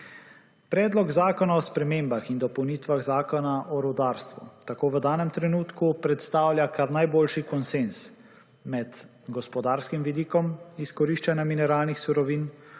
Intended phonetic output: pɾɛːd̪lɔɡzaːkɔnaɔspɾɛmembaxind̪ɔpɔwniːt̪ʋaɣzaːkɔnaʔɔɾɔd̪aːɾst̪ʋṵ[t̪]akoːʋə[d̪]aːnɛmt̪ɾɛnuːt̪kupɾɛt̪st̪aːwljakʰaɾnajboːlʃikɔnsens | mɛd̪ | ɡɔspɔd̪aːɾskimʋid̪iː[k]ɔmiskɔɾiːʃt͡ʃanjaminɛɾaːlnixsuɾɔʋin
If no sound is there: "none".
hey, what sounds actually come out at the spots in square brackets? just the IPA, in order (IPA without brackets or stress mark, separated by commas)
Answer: t̪, d̪, k